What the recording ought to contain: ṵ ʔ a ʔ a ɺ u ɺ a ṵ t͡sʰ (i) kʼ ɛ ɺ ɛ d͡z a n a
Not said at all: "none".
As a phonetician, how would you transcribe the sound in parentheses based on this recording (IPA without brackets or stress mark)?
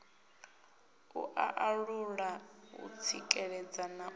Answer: i